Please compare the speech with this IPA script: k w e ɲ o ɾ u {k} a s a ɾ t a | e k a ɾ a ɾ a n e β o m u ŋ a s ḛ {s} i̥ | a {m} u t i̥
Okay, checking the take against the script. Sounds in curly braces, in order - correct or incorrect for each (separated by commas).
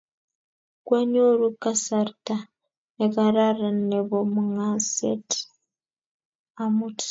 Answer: correct, incorrect, correct